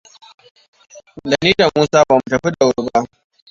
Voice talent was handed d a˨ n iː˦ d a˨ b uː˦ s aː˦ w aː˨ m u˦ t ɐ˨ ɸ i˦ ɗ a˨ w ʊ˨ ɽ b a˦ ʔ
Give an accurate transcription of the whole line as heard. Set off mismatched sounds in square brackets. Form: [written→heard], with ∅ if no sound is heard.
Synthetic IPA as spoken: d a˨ n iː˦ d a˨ [b→m] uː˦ s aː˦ [w→b] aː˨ m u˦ t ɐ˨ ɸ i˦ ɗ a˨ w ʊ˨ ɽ b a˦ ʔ